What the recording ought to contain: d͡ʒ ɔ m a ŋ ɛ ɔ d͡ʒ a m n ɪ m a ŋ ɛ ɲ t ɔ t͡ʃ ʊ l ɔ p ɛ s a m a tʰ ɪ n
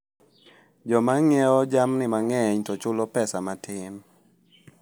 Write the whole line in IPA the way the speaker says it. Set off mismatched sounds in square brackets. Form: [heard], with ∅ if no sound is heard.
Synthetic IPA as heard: d͡ʒ ɔ m a ŋ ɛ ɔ d͡ʒ a m n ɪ m a ŋ ɛ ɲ t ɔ t͡ʃ ʊ l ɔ p ɛ s a m a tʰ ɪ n